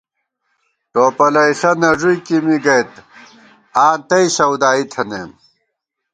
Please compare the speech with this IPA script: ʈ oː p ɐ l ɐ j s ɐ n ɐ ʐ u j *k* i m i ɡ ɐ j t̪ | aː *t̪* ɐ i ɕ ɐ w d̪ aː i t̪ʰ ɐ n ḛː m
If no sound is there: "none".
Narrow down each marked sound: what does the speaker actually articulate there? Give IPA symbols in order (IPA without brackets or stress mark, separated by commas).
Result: k, t̪